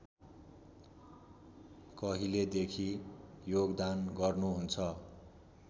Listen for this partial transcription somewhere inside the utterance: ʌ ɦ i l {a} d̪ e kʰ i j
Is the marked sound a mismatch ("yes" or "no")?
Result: yes